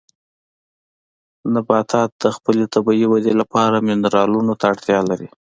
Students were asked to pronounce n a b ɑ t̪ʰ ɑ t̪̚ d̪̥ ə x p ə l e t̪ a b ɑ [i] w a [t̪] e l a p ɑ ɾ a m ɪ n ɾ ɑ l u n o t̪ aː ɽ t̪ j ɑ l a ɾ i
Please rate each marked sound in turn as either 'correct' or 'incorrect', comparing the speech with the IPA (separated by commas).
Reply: correct, incorrect